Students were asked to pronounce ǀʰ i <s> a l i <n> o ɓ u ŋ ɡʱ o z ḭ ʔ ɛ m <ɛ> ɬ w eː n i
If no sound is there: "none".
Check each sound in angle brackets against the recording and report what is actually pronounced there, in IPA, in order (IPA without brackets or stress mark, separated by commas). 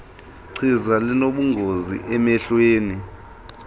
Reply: z, n, ɛ